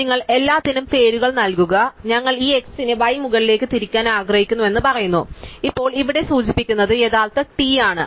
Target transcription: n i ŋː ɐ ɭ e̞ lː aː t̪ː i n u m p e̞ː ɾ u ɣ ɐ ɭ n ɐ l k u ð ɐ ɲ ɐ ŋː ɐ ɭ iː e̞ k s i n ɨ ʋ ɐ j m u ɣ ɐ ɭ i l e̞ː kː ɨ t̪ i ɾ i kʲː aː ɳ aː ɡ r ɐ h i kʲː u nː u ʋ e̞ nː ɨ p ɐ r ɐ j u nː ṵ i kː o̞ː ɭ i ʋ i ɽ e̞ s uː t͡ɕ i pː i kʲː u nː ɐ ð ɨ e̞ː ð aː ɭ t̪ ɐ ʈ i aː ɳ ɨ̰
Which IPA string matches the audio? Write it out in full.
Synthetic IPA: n i ŋː ɐ ɭ e̞ lː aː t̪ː i n u m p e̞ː ɾ u ɣ ɐ ɭ n ɐ l k u ɣ ɐ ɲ ɐ ŋː ɐ ɭ iː e̞ k s i n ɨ ʋ ɐ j m u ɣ ɐ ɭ i l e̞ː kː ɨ t̪ i ɾ i kʲː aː n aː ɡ r ɐ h i kʲː u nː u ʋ e̞ nː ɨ p ɐ r ɐ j u nː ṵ i pː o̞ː ɭ i ʋ i ɽ e̞ s uː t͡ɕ i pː i kʲː u nː ɐ ð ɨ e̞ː ð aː ɭ t̪ ɐ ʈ i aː ɳ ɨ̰